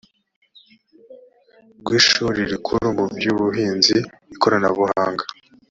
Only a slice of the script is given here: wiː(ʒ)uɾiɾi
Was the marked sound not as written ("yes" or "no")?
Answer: yes